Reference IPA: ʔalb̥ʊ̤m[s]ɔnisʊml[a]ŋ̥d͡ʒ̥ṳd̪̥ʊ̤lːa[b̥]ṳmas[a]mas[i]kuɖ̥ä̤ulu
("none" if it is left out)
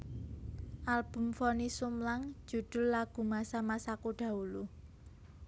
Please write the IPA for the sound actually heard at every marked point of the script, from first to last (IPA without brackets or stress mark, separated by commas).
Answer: f, a, ɡ̥, a, a